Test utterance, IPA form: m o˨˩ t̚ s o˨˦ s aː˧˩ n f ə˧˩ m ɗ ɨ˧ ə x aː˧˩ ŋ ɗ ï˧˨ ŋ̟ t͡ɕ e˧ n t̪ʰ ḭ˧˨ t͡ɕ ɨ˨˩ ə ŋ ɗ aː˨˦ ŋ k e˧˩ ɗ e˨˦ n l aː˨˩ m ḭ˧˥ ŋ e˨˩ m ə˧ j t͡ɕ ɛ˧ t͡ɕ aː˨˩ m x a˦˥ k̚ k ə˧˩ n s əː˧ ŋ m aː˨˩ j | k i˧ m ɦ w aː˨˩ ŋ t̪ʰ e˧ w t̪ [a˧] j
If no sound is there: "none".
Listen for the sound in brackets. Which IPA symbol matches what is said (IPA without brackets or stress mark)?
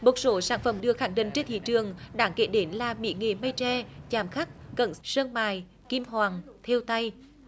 a˧